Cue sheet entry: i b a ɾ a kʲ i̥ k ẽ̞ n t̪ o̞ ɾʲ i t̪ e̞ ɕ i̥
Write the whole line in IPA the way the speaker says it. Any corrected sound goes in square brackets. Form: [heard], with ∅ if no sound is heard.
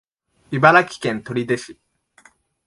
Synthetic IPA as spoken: i b a ɾ a kʲ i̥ k ẽ̞ n t̪ o̞ ɾʲ i [d̪] e̞ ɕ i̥